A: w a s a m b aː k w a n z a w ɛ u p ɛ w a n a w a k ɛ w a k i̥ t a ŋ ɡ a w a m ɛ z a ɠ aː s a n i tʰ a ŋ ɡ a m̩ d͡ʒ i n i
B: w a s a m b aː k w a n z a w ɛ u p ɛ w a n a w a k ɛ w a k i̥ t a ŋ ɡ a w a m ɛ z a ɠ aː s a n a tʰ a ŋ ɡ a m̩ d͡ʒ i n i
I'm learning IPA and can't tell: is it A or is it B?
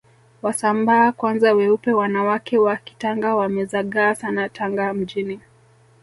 B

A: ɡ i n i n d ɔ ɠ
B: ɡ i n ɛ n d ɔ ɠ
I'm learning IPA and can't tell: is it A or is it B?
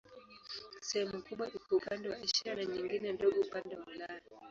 B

